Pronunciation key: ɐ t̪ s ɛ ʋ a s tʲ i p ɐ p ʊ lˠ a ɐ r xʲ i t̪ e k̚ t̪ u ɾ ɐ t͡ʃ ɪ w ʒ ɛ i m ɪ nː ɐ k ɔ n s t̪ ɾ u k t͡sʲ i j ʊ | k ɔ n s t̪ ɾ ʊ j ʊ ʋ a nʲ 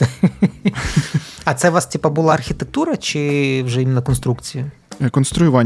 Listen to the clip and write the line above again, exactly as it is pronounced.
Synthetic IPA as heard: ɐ t̪ s ɛ ʋ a s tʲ i p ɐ b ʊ lˠ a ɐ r xʲ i t̪ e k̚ t̪ u ɾ ɐ t͡ʃ ɪ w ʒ ɛ i m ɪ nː ɐ k ɔ n s t̪ ɾ u k t͡sʲ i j ʊ | k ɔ n s t̪ ɾ ʊ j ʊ ʋ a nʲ